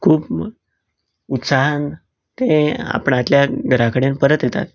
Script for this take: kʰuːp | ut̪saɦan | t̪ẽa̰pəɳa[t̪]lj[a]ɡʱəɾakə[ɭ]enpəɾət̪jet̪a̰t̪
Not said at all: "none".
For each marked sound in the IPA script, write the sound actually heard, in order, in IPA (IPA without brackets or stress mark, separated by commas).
t̪, a, ɽ